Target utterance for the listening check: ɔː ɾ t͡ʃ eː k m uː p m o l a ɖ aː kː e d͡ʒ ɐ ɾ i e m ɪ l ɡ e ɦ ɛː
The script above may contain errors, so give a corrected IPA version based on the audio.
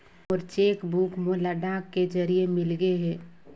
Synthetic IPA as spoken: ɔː ɾ t͡ʃ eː k b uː k m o l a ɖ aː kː e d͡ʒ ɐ ɾ i e m ɪ l ɡ e ɦ ɛː